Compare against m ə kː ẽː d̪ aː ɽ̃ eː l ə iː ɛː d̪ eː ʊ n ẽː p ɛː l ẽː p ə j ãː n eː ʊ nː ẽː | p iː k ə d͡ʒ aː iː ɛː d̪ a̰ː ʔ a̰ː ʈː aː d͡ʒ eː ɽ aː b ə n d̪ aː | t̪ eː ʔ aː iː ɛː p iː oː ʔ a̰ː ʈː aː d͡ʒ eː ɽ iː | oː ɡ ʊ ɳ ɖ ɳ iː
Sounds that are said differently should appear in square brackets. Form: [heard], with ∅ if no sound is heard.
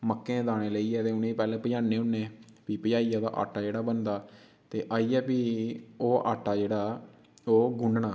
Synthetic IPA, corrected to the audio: m ə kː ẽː d̪ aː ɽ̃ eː l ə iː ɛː [t̪] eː ʊ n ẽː p ɛː l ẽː p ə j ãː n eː ʊ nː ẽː | p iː [p] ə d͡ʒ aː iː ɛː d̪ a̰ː ʔ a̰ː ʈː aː d͡ʒ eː ɽ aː b ə n d̪ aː | t̪ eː ʔ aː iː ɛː p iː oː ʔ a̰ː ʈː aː d͡ʒ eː ɽ [aː] | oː ɡ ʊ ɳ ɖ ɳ [aː]